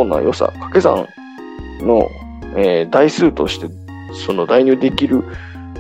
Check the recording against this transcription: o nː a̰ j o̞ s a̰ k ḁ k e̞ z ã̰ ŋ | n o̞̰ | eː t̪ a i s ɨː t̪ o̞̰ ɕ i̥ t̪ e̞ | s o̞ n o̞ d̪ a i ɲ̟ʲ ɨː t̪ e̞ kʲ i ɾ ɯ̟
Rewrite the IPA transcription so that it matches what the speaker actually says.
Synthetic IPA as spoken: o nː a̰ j o̞ s a̰ k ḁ k e̞ z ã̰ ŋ | n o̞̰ | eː d̪ a i s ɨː t̪ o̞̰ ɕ i̥ t̪ e̞ | s o̞ n o̞ d̪ a i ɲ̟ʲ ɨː d̪ e̞ kʲ i ɾ ɯ̟